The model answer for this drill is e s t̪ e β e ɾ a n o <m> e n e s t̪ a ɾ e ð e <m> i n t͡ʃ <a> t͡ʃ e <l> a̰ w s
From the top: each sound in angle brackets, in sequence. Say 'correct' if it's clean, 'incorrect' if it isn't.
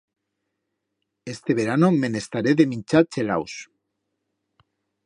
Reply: correct, correct, correct, correct

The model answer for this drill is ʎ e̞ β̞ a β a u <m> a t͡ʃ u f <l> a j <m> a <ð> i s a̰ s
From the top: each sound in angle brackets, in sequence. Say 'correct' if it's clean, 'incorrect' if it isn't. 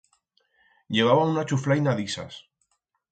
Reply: incorrect: n, correct, incorrect: n, correct

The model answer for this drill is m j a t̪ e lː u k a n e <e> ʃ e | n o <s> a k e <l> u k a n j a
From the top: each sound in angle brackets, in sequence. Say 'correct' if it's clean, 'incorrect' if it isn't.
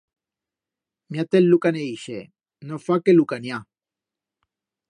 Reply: incorrect: i, incorrect: f, correct

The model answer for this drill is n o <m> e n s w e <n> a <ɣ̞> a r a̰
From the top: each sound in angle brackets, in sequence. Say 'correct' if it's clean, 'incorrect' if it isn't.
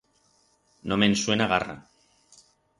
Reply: correct, correct, correct

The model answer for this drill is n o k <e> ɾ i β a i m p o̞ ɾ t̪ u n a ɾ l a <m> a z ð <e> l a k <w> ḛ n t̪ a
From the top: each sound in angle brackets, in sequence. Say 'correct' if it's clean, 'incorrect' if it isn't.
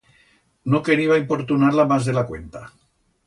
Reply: correct, correct, correct, correct

